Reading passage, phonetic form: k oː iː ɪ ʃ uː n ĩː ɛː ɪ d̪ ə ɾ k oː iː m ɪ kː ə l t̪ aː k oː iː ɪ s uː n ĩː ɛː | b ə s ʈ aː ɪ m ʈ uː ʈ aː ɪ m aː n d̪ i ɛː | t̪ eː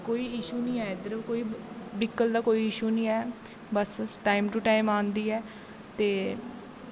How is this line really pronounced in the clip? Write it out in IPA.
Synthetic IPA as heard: k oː iː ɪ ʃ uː n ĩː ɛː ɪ d̪ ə ɾ k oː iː b ɪ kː ə l d̪ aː k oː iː ɪ ʃ uː n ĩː ɛː | b ə s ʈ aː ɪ m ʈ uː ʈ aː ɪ m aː n d̪ iː ɛː | t̪ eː